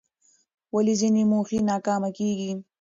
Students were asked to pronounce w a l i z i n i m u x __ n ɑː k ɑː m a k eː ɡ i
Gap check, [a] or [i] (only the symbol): i